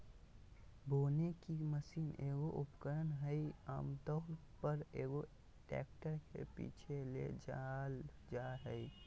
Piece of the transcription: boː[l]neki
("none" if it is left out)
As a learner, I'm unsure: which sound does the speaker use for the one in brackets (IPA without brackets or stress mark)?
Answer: none